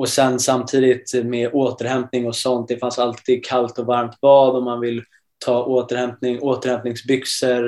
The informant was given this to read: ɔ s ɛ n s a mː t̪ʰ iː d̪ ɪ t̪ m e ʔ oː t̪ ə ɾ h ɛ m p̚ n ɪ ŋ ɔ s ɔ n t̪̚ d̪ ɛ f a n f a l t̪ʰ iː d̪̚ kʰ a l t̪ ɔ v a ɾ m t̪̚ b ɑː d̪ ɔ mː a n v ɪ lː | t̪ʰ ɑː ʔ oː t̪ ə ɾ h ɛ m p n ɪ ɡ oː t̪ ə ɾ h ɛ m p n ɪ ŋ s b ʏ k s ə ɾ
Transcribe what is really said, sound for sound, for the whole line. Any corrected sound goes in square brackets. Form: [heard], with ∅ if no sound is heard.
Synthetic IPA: ɔ s ɛ n s a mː t̪ʰ iː d̪ ɪ t̪ m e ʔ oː t̪ ə ɾ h ɛ m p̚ n ɪ ŋ ɔ s ɔ n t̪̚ d̪ ɛ f a n [s] a l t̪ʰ iː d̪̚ kʰ a l t̪ ɔ v a ɾ m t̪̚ b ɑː d̪ ɔ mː a n v ɪ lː | t̪ʰ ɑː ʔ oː t̪ ə ɾ h ɛ m p n ɪ [ŋ] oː t̪ ə ɾ h ɛ m p n ɪ ŋ s b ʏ k s ə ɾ